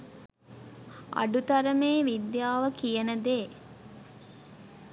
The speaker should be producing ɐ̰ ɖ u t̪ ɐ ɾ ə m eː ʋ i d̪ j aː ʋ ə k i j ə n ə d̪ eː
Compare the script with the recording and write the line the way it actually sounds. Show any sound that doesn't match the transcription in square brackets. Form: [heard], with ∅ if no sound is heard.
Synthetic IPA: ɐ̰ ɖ u t̪ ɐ ɾ ə m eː ʋ i d̪ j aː ʋ ə k i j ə n ə d̪ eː